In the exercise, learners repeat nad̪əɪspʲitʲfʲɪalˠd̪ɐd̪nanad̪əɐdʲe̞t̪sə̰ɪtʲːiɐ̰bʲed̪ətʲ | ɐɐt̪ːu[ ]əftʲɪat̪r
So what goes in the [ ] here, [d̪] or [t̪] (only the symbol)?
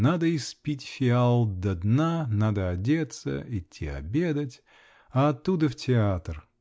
d̪